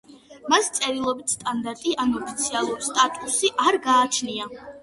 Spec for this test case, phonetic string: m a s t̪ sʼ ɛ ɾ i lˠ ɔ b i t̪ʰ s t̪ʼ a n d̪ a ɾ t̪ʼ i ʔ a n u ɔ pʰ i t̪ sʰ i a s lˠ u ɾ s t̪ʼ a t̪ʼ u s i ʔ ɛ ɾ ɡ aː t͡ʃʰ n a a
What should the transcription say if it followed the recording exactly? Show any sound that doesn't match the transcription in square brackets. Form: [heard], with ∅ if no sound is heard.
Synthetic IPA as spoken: m a s t̪ sʼ ɛ ɾ i lˠ ɔ b i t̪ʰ s t̪ʼ a n d̪ a ɾ t̪ʼ i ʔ a n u ɔ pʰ i t̪ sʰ i a [∅] lˠ u ɾ s t̪ʼ a t̪ʼ u s i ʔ [a] ɾ ɡ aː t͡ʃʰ n [i] a